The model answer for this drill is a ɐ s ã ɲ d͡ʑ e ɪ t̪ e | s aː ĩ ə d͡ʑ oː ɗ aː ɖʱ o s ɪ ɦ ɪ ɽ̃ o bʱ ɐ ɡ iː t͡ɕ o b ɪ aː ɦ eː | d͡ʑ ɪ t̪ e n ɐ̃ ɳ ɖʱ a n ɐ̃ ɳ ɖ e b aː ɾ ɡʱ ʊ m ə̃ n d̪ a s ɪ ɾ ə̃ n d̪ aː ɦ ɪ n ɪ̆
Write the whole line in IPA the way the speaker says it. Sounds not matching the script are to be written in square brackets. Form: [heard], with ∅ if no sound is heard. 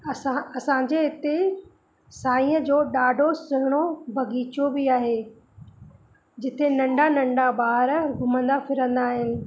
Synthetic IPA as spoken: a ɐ s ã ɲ d͡ʑ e ɪ t̪ e | s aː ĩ ə d͡ʑ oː ɗ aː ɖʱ o s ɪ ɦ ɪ ɽ̃ o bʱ ɐ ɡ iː t͡ɕ o b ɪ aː ɦ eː | d͡ʑ ɪ t̪ e n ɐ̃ ɳ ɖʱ a n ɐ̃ ɳ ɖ [a] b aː ɾ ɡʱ ʊ m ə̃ n d̪ a [f] ɪ ɾ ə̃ n d̪ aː ɦ ɪ n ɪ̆

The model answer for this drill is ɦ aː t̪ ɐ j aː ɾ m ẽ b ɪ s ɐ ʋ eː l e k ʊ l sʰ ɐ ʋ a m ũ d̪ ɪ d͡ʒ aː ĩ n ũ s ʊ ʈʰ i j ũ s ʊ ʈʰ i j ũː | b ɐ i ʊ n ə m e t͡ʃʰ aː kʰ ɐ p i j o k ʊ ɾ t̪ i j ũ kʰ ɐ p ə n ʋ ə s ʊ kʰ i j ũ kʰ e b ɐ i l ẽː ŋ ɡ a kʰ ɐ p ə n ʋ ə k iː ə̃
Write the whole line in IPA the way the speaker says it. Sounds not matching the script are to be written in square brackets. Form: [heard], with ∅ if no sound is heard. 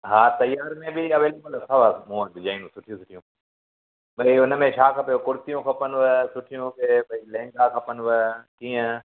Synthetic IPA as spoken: ɦ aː t̪ ɐ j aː ɾ m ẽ b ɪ [∅] ɐ ʋ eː l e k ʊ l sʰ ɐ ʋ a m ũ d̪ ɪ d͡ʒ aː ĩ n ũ s ʊ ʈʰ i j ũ s ʊ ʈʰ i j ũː | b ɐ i ʊ n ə m [ẽ] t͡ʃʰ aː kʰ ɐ p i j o k ʊ ɾ t̪ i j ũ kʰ ɐ p ə n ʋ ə s ʊ [ʈʰ] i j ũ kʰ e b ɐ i l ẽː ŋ ɡ a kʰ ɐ p ə n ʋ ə k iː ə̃

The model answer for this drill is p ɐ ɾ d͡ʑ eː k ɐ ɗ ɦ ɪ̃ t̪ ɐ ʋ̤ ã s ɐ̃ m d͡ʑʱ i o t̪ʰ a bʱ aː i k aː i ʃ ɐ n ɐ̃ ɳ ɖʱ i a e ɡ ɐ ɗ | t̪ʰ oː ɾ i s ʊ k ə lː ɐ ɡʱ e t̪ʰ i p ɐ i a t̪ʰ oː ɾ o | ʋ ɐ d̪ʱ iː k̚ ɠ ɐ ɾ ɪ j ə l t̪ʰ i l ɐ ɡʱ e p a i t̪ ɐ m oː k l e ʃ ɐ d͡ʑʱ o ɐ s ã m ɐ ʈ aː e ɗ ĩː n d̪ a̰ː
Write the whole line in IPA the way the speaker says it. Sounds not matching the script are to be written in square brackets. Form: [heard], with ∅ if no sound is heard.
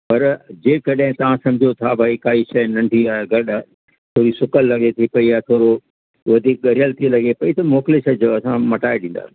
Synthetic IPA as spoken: p ɐ ɾ d͡ʑ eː k ɐ ɗ ɦ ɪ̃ t̪ ɐ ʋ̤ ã s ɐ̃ m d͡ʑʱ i o t̪ʰ a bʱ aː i k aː i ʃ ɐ n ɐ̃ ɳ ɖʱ i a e ɡ ɐ ɗ | t̪ʰ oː ɾ i s ʊ k ə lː ɐ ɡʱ e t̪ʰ i p ɐ i a t̪ʰ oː ɾ o | ʋ ɐ d̪ʱ iː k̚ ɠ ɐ ɾ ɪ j ə l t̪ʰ i l ɐ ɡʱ e p [ɐ] i t̪ ɐ m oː k l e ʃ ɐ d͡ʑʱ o ɐ s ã m ɐ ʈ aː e ɗ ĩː n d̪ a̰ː

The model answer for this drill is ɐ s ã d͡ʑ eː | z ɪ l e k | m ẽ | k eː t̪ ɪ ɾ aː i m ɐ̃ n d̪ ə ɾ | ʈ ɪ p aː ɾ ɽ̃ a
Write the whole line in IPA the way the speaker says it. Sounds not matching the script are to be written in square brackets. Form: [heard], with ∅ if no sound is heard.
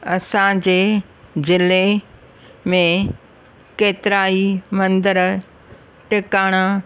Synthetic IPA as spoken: ɐ s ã d͡ʑ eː | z ɪ l e [∅] | m ẽ | k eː t̪ ɪ ɾ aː i m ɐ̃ n d̪ ə ɾ | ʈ ɪ [k] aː [∅] ɽ̃ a

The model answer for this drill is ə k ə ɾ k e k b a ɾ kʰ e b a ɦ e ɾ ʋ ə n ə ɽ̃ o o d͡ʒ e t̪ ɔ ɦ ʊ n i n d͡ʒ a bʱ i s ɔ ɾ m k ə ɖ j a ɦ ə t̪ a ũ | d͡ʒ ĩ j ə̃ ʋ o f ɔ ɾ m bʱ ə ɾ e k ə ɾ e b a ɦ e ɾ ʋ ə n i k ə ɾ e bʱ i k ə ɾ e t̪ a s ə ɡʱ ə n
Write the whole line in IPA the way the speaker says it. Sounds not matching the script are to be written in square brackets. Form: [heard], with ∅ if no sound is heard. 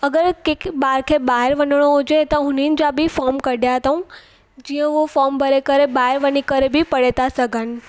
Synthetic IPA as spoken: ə [ɡ] ə ɾ k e k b a ɾ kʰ e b a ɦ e ɾ ʋ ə n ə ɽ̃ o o d͡ʒ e t̪ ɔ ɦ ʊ n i n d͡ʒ a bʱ i [f] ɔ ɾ m k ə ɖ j a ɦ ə t̪ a ũ | d͡ʒ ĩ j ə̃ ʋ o f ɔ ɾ m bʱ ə ɾ e k ə ɾ e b a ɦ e ɾ ʋ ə n i k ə ɾ e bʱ i [p] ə [ɽ] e t̪ a s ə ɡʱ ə n

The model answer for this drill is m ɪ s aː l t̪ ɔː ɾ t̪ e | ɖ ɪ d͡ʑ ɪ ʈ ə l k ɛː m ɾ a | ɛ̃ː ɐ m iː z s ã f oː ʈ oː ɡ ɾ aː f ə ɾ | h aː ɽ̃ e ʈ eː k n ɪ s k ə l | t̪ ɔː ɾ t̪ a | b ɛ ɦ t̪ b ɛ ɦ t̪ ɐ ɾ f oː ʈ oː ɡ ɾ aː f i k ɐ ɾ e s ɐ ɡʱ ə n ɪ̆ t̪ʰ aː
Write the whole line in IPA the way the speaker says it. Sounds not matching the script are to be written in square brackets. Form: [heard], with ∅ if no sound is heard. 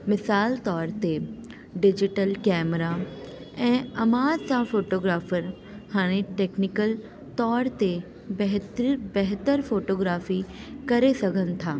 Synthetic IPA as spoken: m ɪ s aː l t̪ ɔː ɾ t̪ e | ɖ ɪ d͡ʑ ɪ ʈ ə l k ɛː m ɾ a | ɛ̃ː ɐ m [aː] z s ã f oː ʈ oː ɡ ɾ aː f ə ɾ | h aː ɽ̃ e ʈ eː k n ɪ [∅] k ə l | t̪ ɔː ɾ t̪ [e] | b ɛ ɦ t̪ b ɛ ɦ t̪ [ə] ɾ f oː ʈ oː ɡ ɾ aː f i k ɐ ɾ e s ɐ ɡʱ ə n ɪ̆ t̪ʰ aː

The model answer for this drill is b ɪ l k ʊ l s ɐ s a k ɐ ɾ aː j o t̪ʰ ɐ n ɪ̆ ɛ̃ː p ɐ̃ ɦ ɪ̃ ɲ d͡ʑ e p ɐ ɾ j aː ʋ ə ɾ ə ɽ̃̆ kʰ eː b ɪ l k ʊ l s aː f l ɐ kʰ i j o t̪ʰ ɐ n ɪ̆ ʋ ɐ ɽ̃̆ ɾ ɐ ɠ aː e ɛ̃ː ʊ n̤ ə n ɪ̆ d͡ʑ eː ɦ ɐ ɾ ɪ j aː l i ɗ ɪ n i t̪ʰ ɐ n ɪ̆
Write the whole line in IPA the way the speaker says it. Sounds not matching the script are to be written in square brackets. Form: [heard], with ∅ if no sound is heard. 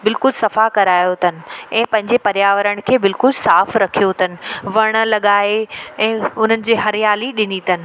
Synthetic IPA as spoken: b ɪ l k ʊ l s ɐ [f] a k ɐ ɾ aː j o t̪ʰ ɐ n ɪ̆ ɛ̃ː p ɐ̃ ɦ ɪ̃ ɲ d͡ʑ e p ɐ ɾ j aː ʋ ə ɾ ə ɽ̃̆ kʰ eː b ɪ l k ʊ l s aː f [ɾ] ɐ kʰ i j o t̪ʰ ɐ n ɪ̆ ʋ ɐ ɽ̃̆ [l] ɐ ɠ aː e ɛ̃ː ʊ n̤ ə n ɪ̆ d͡ʑ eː ɦ ɐ ɾ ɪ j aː l i ɗ ɪ n i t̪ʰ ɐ n ɪ̆

